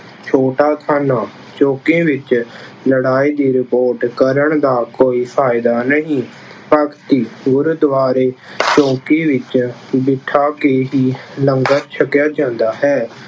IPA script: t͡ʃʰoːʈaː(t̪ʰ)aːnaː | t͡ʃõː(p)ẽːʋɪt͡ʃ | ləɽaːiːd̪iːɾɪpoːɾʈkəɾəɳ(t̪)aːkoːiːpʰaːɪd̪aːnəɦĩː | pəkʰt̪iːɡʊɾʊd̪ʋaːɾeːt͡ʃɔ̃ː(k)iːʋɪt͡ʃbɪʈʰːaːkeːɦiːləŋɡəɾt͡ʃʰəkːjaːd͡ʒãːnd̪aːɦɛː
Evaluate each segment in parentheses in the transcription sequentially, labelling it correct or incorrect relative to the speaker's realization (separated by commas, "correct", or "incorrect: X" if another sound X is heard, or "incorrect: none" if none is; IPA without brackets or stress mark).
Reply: correct, incorrect: k, incorrect: d̪, correct